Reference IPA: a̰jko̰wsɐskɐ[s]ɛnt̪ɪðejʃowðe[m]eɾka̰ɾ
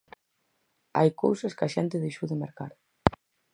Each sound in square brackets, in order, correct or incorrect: incorrect: ʃ, correct

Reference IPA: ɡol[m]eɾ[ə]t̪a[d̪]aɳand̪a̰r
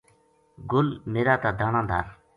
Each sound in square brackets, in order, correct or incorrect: correct, incorrect: a, correct

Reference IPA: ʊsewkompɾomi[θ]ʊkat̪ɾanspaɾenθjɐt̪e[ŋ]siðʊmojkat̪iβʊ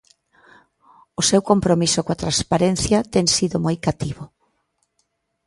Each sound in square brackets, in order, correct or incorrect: incorrect: s, correct

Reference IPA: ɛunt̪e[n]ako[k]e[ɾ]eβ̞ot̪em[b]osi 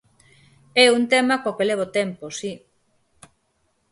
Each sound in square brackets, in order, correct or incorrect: incorrect: m, correct, incorrect: l, incorrect: p

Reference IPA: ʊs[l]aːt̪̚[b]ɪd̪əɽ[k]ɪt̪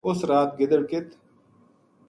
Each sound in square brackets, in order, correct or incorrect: incorrect: ɾ, incorrect: ɡ, correct

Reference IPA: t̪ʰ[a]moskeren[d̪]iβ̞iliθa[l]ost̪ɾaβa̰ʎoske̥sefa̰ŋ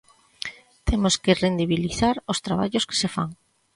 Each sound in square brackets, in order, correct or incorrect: incorrect: e, correct, incorrect: ɾ

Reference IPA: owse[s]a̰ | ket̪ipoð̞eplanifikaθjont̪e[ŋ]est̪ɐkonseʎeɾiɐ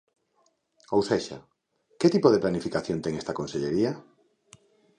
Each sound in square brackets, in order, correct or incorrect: incorrect: ʃ, correct

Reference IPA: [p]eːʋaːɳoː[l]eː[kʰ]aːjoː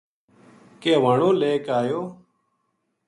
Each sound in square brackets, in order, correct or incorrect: incorrect: k, correct, incorrect: k

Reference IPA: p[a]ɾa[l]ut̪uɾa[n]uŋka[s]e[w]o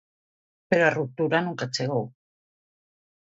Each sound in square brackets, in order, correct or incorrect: incorrect: e, incorrect: r, correct, incorrect: t͡s, incorrect: ɣ

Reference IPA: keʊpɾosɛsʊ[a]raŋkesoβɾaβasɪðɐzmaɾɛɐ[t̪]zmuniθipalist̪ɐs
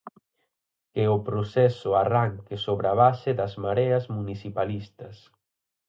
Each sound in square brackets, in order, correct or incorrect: correct, incorrect: none

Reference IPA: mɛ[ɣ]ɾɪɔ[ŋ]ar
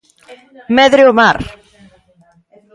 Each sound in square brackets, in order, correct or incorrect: incorrect: ð, incorrect: m

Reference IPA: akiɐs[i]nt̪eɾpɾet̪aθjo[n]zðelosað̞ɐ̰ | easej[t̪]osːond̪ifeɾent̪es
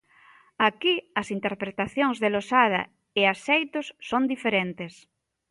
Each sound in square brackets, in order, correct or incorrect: correct, incorrect: ŋ, correct

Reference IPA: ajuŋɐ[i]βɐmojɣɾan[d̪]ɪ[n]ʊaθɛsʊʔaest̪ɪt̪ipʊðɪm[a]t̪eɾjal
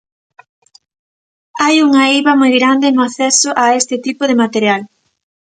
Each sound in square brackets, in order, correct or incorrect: correct, correct, correct, correct

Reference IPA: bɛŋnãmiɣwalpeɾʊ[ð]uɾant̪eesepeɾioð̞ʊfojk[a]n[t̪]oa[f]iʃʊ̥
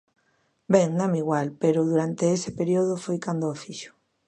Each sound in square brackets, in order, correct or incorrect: correct, correct, incorrect: d̪, correct

